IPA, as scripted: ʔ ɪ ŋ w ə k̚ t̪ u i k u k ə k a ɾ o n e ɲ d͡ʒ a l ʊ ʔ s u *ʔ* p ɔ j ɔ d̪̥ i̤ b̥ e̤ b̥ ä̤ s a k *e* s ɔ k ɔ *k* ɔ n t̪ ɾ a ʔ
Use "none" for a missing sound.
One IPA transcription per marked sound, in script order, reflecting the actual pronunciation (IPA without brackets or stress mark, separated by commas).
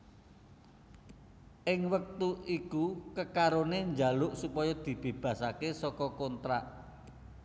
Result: none, e, k